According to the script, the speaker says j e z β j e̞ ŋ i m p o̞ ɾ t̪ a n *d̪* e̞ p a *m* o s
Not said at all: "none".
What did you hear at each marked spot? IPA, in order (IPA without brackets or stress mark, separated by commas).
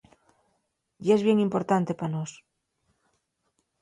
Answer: t̪, n